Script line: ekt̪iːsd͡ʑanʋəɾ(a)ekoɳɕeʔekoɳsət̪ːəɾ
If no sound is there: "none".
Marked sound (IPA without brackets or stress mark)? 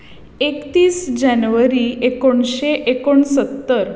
i